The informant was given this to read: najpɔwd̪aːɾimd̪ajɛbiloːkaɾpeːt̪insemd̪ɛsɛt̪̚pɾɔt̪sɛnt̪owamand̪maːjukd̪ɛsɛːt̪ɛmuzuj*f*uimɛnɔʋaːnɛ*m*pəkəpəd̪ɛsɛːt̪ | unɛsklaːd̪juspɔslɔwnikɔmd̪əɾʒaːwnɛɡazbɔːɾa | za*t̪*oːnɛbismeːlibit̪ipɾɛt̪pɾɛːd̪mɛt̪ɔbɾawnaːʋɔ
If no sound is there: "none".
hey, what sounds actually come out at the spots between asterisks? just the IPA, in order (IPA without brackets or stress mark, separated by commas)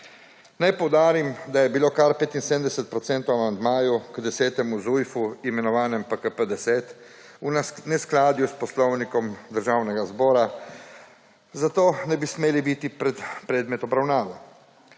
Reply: f, m, t̪